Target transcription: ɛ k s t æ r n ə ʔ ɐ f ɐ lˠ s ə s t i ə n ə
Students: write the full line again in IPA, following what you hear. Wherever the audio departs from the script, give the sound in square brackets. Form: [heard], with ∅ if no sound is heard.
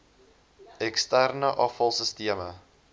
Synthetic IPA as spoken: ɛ k s t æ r n ə ʔ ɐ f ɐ lˠ s ə s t i ə [m] ə